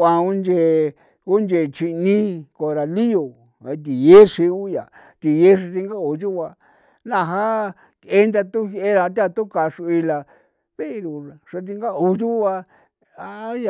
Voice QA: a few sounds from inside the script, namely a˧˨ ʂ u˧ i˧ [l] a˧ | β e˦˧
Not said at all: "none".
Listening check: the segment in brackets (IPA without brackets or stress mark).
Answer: l